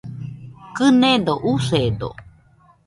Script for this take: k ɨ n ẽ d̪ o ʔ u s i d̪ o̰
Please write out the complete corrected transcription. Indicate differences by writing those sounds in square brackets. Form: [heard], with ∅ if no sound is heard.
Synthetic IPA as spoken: k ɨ n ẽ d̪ o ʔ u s [e] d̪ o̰